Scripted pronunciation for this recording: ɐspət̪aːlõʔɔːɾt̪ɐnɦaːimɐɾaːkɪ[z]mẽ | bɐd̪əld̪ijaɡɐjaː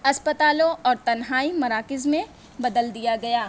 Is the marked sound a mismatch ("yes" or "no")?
no